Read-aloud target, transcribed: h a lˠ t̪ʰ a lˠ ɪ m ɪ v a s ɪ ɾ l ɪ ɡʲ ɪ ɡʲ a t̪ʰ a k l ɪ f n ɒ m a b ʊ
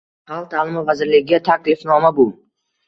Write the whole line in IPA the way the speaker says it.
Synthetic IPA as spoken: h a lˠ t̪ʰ a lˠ ɪ m ɪ v a z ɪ ɾ l ɪ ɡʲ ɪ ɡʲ a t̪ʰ a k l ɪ f n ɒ m a b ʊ